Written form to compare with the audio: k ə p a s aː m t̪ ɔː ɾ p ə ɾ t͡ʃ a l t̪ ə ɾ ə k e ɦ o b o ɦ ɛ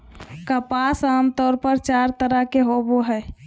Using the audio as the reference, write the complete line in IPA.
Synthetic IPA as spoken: k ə p a s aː m t̪ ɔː ɾ p ə ɾ t͡ʃ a ɾ t̪ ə ɾ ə k e ɦ o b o ɦ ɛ